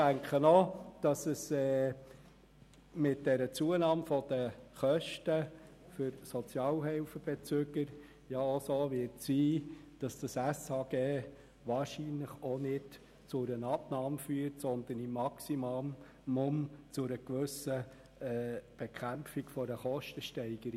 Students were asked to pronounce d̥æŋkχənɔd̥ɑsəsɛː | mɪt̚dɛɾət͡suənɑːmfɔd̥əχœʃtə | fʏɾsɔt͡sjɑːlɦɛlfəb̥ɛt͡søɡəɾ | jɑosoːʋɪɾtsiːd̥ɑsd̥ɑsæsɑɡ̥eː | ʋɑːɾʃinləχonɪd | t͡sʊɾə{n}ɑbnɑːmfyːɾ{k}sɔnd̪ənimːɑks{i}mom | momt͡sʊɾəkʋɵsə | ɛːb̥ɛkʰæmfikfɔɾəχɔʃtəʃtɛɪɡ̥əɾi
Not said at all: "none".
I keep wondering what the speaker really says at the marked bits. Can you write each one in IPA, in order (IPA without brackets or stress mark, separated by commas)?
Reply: n, t, i